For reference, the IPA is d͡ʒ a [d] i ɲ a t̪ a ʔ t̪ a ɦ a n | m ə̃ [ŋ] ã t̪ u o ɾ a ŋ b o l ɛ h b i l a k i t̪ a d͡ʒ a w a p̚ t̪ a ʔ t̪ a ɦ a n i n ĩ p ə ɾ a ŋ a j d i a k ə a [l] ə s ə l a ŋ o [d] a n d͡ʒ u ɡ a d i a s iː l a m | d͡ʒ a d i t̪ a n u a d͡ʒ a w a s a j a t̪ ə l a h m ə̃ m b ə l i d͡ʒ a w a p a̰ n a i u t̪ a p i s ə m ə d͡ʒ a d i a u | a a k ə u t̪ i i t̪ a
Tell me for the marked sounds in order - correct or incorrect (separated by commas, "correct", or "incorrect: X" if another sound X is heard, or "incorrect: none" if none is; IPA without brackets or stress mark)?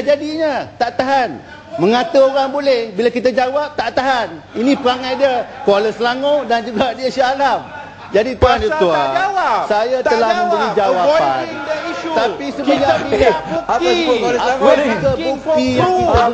correct, correct, correct, correct